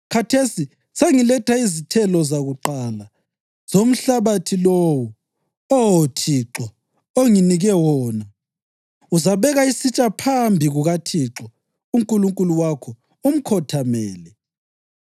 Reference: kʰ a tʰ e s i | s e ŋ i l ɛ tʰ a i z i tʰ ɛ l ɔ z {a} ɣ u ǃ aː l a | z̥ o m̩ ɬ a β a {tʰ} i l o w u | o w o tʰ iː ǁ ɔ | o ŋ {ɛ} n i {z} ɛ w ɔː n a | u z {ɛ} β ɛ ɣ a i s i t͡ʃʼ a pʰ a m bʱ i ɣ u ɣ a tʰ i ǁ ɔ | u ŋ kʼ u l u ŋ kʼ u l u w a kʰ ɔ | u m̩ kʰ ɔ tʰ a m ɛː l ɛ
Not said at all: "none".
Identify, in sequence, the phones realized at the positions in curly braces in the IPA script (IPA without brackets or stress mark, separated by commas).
a, tʰ, i, ɣ, a